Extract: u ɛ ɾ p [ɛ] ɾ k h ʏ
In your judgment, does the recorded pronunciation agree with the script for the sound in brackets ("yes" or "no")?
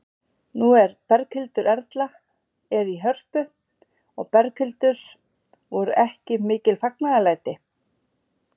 yes